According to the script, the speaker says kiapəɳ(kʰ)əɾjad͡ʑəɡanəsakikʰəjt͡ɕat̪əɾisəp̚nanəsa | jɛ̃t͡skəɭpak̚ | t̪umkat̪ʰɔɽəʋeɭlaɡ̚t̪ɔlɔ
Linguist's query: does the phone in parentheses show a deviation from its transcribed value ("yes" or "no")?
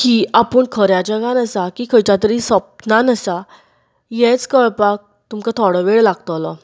no